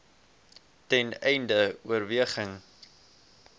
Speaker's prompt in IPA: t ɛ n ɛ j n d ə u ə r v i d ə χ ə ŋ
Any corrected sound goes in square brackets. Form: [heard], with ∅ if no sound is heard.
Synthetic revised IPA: t ɛ n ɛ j n d ə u ə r v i [∅] ə χ ə ŋ

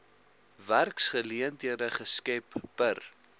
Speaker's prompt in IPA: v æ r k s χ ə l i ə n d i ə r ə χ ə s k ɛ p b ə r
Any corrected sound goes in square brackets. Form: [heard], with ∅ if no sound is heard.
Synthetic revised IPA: v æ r k s χ ə l i ə n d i ə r ə χ ə s k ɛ p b ə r

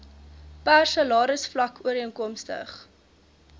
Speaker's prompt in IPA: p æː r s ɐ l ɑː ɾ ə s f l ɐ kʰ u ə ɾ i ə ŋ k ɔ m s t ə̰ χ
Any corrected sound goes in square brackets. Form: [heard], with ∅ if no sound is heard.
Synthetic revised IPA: p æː r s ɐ l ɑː ɾ ə s f l ɐ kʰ u ə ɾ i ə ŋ k ɔ m s t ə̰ χ

